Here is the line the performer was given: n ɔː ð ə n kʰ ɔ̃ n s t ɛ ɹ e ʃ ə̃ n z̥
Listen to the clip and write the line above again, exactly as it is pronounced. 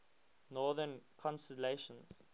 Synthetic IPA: n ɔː ð ə n kʰ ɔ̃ n s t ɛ l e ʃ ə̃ n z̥